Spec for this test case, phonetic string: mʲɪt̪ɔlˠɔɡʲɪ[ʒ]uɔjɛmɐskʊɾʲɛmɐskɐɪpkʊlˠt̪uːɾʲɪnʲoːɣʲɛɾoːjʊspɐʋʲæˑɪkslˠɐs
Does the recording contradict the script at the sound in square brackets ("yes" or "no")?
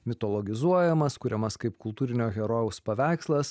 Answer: yes